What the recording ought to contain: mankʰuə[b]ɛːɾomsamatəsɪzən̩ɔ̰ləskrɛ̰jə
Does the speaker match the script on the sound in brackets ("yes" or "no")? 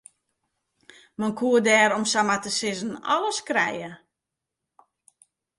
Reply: no